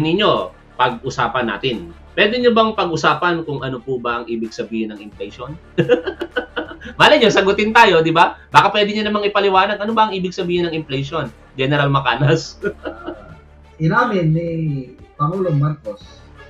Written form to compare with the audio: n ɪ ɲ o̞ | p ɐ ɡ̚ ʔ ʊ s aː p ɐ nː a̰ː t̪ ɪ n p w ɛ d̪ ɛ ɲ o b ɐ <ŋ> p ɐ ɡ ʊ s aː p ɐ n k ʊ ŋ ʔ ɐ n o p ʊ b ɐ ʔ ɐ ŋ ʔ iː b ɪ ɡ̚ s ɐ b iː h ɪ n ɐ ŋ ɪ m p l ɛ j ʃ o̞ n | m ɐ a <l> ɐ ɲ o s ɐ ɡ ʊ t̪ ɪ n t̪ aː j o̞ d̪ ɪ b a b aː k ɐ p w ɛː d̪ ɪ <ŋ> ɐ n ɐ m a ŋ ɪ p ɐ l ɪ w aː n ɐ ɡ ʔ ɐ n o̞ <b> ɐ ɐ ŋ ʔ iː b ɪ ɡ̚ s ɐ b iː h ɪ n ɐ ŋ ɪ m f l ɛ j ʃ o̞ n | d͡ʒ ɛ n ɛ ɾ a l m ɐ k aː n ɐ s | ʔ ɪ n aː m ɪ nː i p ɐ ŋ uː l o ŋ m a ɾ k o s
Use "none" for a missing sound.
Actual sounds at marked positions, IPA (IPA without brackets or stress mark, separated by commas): ŋ, l, ɲ, b